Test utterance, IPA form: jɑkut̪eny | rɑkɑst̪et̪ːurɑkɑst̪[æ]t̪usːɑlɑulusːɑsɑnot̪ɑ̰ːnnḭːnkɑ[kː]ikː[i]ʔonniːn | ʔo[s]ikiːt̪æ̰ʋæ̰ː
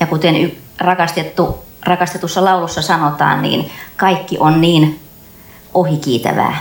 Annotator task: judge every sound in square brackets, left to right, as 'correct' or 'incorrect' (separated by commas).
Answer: incorrect, incorrect, correct, incorrect